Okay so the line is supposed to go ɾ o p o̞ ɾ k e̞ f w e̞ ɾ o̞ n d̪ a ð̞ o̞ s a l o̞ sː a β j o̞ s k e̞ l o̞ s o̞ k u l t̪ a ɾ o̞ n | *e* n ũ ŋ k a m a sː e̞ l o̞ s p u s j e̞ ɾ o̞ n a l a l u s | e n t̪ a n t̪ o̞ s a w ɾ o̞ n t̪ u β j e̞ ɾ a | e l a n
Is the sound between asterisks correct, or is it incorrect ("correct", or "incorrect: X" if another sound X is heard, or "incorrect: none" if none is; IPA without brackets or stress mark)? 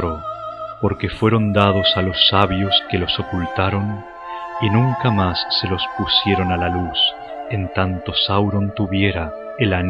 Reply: incorrect: i